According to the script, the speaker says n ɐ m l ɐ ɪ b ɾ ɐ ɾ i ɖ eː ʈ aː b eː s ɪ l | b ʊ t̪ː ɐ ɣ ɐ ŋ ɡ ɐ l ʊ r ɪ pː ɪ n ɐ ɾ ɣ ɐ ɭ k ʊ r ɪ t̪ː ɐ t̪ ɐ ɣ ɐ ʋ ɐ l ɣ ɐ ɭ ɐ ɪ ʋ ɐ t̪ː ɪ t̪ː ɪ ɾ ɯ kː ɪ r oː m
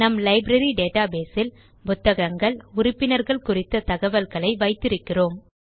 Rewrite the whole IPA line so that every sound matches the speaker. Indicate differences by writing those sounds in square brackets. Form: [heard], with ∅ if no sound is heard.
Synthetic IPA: n ɐ m l ɐ ɪ b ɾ ɐ ɾ i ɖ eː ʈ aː b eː s ɪ l | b ʊ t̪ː ɐ ɣ ɐ ŋ ɡ ɐ [ɭ] ʊ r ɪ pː ɪ n ɐ ɾ ɣ ɐ ɭ k ʊ r ɪ t̪ː ɐ t̪ ɐ ɣ ɐ ʋ ɐ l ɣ ɐ ɭ ɐ ɪ ʋ ɐ [∅] ɪ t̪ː ɪ ɾ ɯ kː ɪ r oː m